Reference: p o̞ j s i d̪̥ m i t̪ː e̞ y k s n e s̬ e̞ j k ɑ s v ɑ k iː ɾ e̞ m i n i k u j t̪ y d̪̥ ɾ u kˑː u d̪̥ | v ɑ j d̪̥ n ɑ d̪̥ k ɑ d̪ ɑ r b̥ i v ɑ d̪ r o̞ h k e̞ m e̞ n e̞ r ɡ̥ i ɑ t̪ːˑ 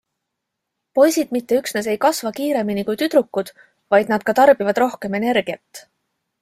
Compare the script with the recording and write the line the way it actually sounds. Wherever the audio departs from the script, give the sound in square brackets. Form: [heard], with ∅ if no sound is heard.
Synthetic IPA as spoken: p o̞ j s i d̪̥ m i t̪ː e̞ y k s n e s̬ e̞ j k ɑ s v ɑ k iː ɾ e̞ m i n i k u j t̪ y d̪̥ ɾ u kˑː u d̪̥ | v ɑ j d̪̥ n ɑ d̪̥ k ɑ [t̪] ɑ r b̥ i v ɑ d̪ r o̞ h k e̞ m e̞ n e̞ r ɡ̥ i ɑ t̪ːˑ